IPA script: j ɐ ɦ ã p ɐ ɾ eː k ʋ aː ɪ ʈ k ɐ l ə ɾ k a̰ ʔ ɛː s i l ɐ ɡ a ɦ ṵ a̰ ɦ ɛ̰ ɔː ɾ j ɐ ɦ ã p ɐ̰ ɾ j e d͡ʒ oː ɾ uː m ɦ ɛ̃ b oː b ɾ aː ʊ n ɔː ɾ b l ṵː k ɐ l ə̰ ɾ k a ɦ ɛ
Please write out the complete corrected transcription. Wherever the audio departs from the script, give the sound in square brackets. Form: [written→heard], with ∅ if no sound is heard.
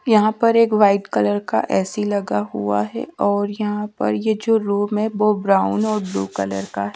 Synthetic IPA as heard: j ɐ ɦ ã p ɐ ɾ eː k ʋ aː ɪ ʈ k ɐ l ə ɾ k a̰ ʔ ɛː s i l ɐ ɡ a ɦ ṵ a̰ ɦ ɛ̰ ɔː ɾ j ɐ ɦ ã p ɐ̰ ɾ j e d͡ʒ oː ɾ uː m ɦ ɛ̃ b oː b ɾ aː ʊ n ɔː ɾ b l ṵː k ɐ l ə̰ ɾ k a ɦ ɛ